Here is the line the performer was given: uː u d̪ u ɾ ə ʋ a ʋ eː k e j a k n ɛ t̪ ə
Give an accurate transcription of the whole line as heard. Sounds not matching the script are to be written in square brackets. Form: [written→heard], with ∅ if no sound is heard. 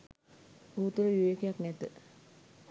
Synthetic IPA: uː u [d̪→t̪] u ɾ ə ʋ [a→i] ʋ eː k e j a k n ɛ t̪ ə